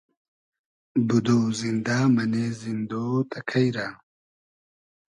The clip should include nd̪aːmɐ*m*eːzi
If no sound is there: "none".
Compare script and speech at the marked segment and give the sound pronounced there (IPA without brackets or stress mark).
n